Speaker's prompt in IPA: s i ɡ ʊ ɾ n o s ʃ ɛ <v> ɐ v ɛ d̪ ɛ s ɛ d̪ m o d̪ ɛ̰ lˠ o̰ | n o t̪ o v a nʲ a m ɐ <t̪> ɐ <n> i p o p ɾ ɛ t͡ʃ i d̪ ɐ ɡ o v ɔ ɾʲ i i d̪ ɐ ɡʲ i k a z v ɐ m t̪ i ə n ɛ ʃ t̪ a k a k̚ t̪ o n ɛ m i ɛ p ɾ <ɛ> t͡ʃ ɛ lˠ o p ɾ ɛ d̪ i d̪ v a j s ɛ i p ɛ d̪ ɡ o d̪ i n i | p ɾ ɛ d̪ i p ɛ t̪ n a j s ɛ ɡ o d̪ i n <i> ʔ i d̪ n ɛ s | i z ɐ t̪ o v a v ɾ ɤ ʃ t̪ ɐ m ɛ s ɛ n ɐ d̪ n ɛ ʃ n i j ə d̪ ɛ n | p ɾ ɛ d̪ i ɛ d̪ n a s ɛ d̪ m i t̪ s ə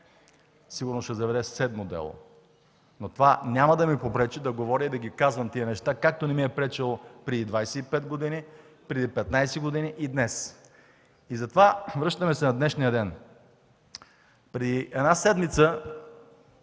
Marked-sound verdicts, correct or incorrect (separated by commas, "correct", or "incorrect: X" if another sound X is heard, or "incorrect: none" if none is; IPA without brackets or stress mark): incorrect: z, incorrect: d̪, incorrect: m, correct, correct